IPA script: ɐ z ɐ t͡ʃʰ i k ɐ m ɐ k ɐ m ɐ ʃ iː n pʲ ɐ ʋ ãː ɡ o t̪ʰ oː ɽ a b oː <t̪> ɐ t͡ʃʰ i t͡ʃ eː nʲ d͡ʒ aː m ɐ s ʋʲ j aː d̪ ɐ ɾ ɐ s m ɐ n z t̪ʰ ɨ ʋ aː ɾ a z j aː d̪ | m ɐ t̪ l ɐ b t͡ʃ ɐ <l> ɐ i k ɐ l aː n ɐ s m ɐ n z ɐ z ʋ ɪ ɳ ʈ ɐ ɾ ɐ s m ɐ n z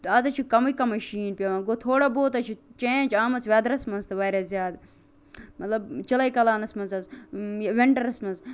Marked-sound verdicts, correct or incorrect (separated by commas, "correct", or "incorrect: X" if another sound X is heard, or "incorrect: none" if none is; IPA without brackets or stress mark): correct, correct